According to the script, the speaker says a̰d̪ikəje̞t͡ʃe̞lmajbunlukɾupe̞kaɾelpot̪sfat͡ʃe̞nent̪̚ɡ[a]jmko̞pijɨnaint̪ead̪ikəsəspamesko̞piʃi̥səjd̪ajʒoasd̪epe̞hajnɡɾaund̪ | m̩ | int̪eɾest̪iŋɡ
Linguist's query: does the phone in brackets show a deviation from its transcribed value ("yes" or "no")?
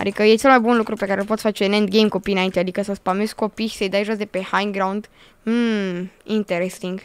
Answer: yes